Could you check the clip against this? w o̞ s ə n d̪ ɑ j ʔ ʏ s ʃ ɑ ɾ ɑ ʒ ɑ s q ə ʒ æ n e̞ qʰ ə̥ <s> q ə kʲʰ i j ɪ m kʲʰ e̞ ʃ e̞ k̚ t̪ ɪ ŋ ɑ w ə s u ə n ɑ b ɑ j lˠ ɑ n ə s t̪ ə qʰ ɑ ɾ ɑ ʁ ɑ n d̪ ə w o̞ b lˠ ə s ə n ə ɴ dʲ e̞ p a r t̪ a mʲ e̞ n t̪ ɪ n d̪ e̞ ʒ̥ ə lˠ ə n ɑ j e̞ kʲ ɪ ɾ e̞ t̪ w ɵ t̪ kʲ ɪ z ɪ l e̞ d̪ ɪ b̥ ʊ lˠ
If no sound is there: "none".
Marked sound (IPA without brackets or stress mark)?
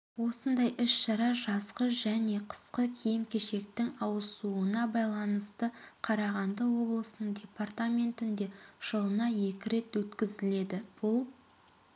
s